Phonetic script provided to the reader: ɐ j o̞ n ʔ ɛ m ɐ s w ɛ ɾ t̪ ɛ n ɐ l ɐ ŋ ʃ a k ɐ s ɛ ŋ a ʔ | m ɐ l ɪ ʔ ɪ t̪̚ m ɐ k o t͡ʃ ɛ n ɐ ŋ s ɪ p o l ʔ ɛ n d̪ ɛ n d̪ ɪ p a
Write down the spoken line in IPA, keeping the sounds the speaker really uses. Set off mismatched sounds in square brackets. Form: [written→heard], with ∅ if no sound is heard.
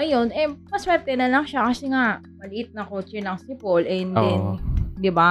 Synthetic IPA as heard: ɐ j o̞ n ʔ ɛ m ɐ s w ɛ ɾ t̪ ɛ n ɐ l ɐ ŋ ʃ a k ɐ s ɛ ŋ a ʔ | m ɐ l ɪ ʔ ɪ t̪̚ [m→n] ɐ k o t͡ʃ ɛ n ɐ ŋ s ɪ p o l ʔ ɛ n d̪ ɛ n d̪ ɪ [p→b] a